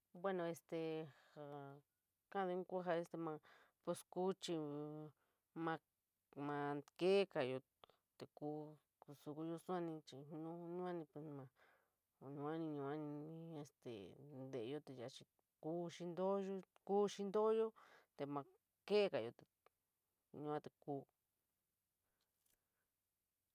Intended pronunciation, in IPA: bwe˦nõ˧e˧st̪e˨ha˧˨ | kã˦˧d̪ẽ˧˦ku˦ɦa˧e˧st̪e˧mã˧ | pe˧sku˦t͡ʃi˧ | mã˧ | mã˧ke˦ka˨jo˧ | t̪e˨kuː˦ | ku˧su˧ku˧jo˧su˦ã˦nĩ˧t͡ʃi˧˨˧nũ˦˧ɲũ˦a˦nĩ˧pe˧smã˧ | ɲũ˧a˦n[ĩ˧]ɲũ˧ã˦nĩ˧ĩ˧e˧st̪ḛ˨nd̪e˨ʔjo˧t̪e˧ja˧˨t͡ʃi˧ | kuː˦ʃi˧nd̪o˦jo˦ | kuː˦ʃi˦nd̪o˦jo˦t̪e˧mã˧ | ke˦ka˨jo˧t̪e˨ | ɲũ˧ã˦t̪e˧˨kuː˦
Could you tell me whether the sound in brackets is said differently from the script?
no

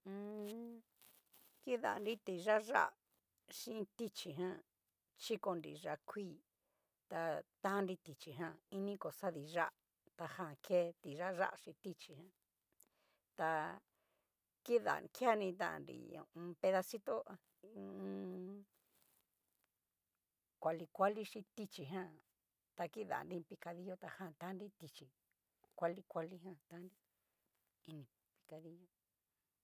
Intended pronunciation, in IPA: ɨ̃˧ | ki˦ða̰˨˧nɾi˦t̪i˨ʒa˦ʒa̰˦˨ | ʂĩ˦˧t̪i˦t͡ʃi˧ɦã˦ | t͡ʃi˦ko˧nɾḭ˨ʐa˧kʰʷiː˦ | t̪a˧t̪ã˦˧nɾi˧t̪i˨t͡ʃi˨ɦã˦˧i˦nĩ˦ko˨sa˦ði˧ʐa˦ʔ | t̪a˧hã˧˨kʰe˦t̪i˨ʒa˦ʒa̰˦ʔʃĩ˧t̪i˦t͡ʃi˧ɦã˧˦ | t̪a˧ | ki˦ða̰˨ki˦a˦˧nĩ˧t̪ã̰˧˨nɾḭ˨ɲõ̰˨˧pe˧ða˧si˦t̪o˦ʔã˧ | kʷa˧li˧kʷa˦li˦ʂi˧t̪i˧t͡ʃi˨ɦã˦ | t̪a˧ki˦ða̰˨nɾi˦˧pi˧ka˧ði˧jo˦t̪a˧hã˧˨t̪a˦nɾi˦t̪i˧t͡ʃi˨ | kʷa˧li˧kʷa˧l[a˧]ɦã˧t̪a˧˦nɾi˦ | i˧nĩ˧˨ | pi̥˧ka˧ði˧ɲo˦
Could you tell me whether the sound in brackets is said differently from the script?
yes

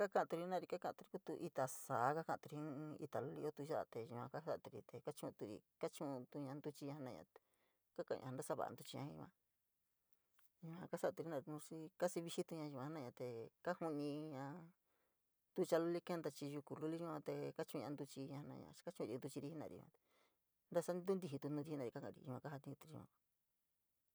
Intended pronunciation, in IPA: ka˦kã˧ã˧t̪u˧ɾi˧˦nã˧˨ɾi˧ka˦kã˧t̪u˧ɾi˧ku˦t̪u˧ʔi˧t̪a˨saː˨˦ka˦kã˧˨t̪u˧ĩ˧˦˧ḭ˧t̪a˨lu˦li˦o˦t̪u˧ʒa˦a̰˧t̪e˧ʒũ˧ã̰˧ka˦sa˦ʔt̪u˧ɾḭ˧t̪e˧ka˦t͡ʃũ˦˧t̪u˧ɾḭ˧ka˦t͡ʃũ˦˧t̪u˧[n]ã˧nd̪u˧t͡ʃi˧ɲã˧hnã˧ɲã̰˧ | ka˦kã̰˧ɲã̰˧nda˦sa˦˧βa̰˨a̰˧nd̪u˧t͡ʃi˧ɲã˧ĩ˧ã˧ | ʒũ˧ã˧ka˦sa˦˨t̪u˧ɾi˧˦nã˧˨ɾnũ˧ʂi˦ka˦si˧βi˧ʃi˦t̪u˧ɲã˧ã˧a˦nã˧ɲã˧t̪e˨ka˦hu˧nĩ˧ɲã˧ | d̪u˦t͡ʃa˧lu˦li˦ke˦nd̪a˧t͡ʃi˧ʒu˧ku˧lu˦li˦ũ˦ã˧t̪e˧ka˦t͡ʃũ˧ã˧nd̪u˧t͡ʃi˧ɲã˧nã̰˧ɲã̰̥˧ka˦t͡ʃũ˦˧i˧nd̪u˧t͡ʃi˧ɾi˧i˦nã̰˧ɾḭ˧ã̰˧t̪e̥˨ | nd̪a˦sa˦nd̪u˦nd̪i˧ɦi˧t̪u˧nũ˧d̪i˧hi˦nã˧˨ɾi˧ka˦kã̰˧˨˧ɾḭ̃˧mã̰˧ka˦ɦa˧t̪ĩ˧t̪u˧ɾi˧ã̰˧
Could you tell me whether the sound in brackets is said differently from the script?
yes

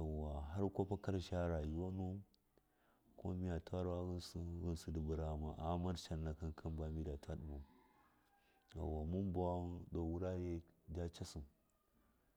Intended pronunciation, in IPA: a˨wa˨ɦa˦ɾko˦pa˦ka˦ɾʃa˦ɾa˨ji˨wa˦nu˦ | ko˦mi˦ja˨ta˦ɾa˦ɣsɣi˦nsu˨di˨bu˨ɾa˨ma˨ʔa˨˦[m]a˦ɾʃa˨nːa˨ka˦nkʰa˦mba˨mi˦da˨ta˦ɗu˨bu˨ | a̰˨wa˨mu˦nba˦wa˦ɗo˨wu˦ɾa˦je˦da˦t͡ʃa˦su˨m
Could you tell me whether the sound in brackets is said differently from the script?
no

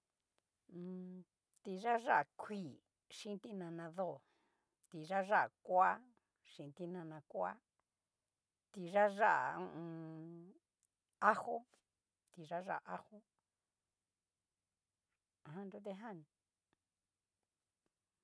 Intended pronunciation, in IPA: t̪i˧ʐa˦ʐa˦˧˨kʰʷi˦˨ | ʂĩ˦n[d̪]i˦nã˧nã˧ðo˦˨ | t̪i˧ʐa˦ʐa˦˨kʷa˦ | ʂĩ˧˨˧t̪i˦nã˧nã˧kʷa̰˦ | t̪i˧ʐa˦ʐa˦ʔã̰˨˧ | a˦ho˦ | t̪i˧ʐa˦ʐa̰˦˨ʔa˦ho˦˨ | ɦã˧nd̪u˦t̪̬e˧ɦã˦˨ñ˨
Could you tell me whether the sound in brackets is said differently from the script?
yes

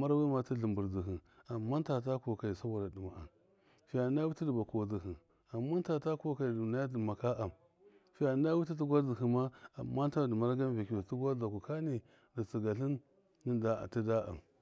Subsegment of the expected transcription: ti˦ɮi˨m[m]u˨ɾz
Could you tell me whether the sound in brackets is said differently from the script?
yes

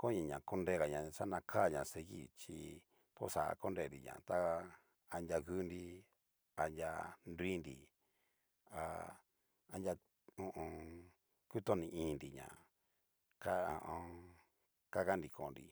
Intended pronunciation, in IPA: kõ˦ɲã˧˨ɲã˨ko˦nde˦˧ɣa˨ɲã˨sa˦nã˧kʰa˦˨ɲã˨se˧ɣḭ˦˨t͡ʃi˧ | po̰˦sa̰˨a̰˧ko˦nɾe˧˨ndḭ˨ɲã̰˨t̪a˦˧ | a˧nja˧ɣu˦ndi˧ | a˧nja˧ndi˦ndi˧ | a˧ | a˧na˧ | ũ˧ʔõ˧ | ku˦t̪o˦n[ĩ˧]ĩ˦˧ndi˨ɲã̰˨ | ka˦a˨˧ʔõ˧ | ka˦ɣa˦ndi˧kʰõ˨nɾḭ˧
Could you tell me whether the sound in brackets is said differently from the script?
no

